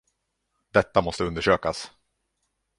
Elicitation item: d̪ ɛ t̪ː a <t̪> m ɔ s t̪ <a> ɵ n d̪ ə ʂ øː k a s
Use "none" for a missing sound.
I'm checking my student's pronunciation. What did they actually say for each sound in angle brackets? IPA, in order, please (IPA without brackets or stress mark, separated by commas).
none, ə